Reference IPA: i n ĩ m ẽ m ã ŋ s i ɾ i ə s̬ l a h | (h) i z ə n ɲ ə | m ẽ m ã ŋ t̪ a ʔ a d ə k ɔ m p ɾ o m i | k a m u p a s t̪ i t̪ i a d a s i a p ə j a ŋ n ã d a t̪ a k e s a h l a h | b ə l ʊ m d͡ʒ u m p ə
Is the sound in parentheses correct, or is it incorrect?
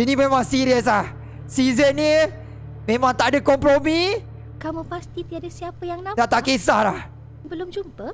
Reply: incorrect